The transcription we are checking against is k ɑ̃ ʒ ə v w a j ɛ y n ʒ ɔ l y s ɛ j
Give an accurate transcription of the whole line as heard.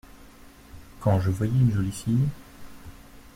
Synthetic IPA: k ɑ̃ ʒ ə v w a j ɛ y n ʒ ɔ l i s i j

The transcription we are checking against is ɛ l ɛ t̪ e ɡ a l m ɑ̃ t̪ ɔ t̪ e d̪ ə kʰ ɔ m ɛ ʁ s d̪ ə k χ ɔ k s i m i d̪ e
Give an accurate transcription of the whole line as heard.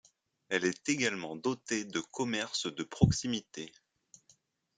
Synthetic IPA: ɛ l ɛ t̪ e ɡ a l m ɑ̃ d̪ ɔ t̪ e d̪ ə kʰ ɔ m ɛ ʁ s d̪ ə p χ ɔ k s i m i t̪ e

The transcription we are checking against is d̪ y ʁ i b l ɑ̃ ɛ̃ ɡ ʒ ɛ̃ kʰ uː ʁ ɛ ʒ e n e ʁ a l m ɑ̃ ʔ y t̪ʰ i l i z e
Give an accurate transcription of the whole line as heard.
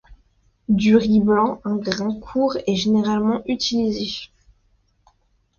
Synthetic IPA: d̪ y ʁ i b l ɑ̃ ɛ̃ ɡ ʁ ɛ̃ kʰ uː ʁ ɛ ʒ e n e ʁ a l m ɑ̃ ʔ y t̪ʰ i l i z e

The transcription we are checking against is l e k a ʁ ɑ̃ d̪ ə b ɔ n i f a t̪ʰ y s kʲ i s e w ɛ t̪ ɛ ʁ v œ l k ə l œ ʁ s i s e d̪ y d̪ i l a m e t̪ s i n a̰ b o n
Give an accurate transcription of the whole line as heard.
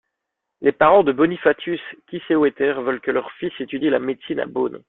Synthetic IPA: l e p a ʁ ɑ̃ d̪ ə b ɔ n i f a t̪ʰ y s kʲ i s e w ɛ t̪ ɛ ʁ v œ l k ə l œ ʁ f i s e t̪ y d̪ i l a m e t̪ s i n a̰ b o n

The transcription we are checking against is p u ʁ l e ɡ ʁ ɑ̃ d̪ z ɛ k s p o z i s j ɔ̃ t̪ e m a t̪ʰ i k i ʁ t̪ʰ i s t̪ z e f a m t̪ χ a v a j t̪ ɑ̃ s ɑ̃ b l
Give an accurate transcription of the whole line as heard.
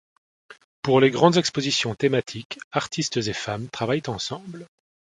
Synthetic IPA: p u ʁ l e ɡ ʁ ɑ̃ d̪ z ɛ k s p o z i s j ɔ̃ t̪ e m a t̪ʰ i k a ʁ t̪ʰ i s t̪ z e f a m t̪ χ a v a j t̪ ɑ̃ s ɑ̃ b l

